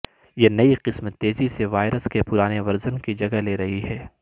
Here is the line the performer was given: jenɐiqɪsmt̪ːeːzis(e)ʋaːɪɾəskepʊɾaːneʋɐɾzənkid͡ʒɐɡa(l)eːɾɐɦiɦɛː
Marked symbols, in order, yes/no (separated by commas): yes, yes